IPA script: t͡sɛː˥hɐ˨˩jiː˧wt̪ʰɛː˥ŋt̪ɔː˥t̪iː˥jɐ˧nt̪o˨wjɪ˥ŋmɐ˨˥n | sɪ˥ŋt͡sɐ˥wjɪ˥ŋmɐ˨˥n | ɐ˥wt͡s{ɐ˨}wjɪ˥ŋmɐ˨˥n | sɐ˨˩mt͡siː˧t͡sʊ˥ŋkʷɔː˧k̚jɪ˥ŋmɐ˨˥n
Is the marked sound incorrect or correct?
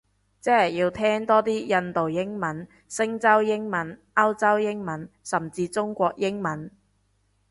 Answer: incorrect